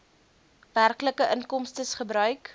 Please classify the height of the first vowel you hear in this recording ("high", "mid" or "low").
low